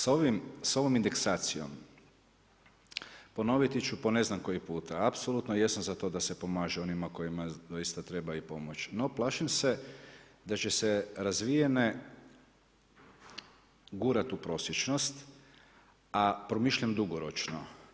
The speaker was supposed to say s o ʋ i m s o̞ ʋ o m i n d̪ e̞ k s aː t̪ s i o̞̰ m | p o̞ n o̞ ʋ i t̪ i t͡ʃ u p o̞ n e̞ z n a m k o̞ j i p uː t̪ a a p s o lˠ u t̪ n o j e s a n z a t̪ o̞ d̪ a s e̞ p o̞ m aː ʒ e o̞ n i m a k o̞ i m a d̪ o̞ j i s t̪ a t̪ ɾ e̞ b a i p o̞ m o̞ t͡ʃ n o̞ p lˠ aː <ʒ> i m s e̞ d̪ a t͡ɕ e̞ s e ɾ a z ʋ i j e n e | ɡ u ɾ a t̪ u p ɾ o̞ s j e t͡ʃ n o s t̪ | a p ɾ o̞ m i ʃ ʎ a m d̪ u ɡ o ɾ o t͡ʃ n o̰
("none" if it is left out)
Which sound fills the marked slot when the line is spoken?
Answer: ʃ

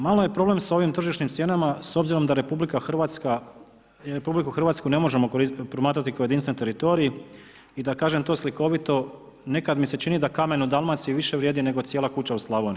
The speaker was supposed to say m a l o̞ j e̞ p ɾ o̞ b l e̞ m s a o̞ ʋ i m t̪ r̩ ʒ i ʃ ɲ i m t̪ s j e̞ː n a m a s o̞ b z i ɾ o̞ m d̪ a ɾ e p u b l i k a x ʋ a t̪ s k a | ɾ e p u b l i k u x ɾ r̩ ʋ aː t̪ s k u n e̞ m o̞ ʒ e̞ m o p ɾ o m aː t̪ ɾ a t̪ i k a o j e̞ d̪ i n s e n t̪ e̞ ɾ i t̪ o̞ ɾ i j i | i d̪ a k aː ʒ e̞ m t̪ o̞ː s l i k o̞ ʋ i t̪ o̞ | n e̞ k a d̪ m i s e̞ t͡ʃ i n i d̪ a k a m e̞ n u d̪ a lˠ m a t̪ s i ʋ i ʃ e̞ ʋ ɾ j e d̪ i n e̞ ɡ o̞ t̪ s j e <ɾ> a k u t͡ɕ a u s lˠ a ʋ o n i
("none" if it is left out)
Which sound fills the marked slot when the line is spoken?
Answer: l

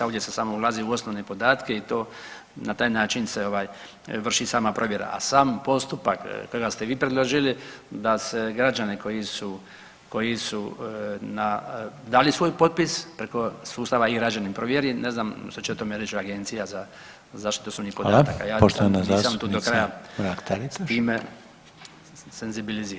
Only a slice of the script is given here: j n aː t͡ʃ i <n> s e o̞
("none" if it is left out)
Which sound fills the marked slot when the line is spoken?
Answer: n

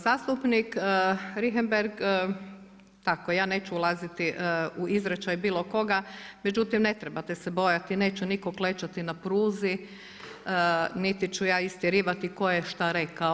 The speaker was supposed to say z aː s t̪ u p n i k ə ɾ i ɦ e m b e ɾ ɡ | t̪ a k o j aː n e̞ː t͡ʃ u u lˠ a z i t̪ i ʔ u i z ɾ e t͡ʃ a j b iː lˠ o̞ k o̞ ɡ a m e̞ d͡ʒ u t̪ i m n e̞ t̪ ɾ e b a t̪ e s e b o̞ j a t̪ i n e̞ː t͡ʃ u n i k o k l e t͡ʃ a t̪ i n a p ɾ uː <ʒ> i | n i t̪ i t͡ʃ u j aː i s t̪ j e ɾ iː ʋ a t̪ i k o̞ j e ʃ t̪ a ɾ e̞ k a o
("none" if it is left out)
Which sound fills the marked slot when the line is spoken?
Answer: z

